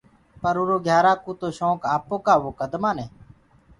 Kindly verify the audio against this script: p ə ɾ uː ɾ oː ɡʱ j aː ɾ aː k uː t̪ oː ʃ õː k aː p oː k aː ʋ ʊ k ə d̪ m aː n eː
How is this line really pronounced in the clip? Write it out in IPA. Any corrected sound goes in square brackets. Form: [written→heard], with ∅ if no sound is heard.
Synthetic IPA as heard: p ə ɾ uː ɾ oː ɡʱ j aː ɾ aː k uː t̪ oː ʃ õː k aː p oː k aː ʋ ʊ k ə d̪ m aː n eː